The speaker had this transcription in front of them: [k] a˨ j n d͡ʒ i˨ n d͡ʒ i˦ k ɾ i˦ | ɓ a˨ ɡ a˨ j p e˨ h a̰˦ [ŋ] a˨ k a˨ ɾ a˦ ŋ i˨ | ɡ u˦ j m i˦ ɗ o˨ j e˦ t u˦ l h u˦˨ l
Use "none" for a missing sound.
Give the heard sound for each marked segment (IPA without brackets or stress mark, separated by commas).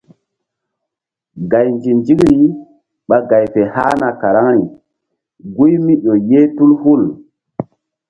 ɡ, n